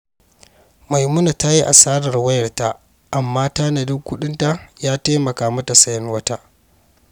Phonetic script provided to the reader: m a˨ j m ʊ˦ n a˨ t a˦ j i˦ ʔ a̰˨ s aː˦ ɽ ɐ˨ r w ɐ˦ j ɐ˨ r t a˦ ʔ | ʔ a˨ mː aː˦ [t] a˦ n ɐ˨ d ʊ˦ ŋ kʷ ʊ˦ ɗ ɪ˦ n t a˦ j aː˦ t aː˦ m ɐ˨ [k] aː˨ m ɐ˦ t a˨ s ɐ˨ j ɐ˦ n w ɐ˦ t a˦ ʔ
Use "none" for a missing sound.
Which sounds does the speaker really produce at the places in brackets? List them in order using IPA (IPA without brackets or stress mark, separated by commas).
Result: t, k